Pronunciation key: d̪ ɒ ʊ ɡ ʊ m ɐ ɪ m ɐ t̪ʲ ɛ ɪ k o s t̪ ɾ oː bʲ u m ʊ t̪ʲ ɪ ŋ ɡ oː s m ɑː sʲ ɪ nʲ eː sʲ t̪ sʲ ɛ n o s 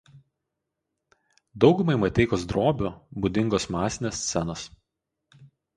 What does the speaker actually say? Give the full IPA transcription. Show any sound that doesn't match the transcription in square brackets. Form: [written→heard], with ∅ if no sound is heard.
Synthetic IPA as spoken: d̪ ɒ ʊ ɡ ʊ m ɐ ɪ m ɐ t̪ʲ ɛ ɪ k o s [t̪→d̪] ɾ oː bʲ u [m→b] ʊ [t̪ʲ→d̪ʲ] ɪ ŋ ɡ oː s m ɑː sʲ ɪ nʲ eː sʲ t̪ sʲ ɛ n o s